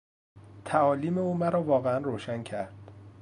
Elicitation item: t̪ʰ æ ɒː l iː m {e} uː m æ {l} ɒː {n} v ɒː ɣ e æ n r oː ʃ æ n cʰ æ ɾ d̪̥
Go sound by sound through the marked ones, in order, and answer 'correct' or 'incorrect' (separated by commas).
correct, incorrect, incorrect